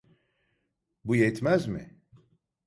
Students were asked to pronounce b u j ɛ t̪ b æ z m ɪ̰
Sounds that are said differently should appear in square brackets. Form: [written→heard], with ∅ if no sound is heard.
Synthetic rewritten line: b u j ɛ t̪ [b→m] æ z m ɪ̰